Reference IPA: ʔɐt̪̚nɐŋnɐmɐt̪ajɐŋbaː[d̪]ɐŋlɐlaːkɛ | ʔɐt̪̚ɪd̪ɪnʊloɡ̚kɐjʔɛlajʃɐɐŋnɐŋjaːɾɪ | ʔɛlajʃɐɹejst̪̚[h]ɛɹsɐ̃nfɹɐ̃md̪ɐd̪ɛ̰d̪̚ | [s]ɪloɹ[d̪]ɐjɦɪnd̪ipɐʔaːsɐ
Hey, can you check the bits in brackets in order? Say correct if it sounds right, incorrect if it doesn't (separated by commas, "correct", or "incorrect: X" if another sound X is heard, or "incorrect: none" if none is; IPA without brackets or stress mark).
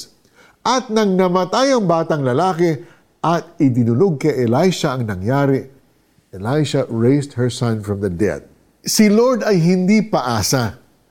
incorrect: t̪, correct, correct, correct